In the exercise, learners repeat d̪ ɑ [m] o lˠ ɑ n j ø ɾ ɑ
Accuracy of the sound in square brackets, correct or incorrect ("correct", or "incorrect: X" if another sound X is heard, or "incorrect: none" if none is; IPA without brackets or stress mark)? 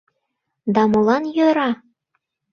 correct